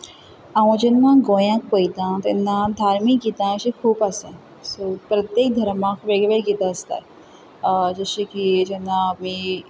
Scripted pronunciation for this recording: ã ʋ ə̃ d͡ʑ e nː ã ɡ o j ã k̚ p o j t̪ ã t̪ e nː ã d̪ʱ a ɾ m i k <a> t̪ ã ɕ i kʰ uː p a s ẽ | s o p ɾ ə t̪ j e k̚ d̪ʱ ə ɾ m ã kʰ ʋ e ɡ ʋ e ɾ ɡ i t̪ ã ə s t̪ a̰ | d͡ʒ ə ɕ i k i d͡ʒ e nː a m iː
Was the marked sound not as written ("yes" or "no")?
yes